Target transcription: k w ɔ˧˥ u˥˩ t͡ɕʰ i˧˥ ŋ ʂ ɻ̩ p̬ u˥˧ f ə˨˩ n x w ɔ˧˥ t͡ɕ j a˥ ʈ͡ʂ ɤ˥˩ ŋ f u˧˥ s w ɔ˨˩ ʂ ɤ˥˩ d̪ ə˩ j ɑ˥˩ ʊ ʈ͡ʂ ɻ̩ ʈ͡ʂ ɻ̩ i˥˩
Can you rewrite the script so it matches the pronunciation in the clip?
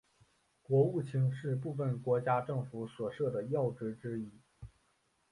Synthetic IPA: k w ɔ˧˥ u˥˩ t͡ɕʰ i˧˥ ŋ ʂ ɻ̩ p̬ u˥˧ f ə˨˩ n k w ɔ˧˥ t͡ɕ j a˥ ʈ͡ʂ ɤ˥˩ ŋ f u˧˥ s w ɔ˨˩ ʂ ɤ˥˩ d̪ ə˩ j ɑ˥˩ ʊ ʈ͡ʂ ɻ̩ ʈ͡ʂ ɻ̩ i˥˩